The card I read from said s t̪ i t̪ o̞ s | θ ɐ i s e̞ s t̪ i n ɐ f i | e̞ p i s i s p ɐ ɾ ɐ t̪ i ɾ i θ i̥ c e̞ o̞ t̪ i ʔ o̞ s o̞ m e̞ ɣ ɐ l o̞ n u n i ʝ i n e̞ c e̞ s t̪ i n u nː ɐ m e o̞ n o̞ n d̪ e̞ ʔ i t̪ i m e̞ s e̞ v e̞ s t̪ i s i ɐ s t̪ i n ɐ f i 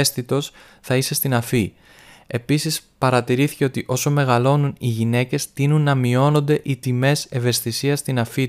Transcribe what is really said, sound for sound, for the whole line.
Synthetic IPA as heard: s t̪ i t̪ o̞ s | θ ɐ i s e̞ s t̪ i n ɐ f i | e̞ p i s i s p ɐ ɾ ɐ t̪ i ɾ i θ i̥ c e̞ o̞ t̪ i ʔ o̞ s o̞ m e̞ ɣ ɐ l o̞ n u n i ʝ i n e̞ c e̞ s t̪ i n u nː ɐ m i o̞ n o̞ n d̪ e̞ ʔ i t̪ i m e̞ s e̞ v e̞ s t̪ i s i ɐ s t̪ i n ɐ f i